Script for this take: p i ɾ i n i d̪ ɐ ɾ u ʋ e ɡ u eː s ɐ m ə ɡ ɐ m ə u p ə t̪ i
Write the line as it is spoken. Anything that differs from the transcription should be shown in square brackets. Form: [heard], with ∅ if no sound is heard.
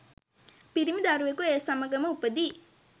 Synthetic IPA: p i ɾ i [m] i d̪ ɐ ɾ u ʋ e [k] u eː s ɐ m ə ɡ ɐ m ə u p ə [d̪] i